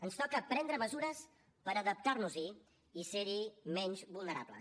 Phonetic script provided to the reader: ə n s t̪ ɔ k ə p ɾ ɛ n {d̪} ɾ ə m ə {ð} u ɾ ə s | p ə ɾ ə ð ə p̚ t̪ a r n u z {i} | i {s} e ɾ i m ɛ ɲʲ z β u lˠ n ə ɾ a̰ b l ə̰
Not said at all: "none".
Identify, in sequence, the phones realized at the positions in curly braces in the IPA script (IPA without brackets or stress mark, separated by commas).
d̪, z, i, s